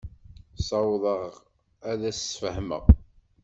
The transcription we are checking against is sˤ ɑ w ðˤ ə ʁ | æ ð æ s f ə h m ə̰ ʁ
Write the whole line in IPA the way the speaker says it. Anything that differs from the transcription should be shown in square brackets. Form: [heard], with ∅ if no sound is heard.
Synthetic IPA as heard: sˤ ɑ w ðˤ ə ʁ | æ ð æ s f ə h m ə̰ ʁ